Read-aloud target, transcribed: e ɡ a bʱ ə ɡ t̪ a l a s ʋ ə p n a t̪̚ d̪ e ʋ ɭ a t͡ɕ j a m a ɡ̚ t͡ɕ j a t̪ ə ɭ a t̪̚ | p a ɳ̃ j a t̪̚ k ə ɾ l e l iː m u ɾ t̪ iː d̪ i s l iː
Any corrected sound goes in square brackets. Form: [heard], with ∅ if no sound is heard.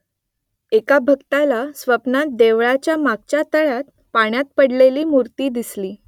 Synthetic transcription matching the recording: e [k] a bʱ ə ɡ t̪ a l a s ʋ ə p n a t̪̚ d̪ e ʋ ɭ a t͡ɕ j a m a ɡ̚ t͡ɕ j a t̪ ə ɭ a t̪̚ | p a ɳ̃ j a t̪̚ [p] ə [ɽ] l e l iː m u ɾ t̪ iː d̪ i s l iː